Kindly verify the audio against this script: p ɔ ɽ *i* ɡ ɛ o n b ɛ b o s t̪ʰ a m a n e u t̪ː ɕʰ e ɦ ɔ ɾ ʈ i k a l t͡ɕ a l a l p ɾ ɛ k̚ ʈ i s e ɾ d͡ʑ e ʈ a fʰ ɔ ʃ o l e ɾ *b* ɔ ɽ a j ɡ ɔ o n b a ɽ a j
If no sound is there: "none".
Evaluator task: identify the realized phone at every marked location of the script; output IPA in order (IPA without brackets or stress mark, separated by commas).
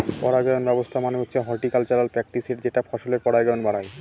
a, p